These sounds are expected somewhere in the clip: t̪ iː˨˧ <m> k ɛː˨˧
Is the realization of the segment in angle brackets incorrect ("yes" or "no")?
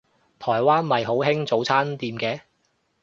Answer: no